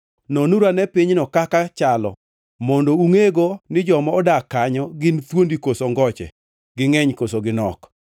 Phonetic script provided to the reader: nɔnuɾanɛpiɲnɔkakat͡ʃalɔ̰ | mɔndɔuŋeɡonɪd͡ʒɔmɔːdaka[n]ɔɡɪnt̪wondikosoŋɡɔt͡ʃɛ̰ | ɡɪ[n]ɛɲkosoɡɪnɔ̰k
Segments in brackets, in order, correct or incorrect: incorrect, incorrect

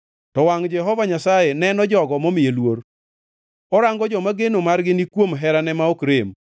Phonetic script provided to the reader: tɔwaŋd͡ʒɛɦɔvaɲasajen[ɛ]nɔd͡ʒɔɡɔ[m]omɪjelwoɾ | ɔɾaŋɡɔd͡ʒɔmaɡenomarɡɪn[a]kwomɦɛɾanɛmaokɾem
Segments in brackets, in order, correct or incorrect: correct, correct, incorrect

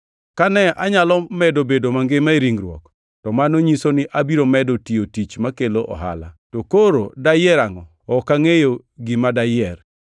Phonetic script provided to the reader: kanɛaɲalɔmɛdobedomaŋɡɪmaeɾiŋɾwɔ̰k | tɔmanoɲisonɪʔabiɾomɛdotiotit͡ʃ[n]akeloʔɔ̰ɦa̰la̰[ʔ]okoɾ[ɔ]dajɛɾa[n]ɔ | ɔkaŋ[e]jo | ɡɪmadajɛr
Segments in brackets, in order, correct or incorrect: incorrect, incorrect, incorrect, incorrect, correct

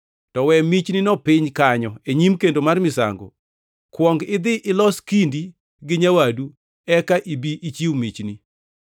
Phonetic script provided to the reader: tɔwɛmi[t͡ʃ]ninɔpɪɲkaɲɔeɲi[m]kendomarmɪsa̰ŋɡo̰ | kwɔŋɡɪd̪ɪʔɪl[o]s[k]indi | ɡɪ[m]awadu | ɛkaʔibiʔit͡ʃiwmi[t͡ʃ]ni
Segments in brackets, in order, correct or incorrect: correct, correct, incorrect, correct, incorrect, correct

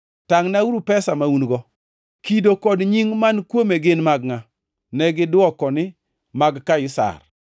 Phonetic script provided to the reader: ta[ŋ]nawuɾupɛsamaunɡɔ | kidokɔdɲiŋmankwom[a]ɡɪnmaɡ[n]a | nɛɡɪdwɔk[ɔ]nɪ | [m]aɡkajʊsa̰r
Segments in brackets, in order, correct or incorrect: correct, incorrect, incorrect, correct, correct

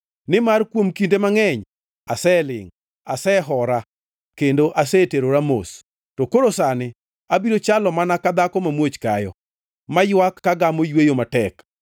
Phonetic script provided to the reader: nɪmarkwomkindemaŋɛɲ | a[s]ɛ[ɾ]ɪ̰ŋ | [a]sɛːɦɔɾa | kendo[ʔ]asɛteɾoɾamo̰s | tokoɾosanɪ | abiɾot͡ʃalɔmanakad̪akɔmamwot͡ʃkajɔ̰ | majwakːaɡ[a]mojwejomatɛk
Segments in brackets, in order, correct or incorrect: correct, incorrect, correct, correct, correct

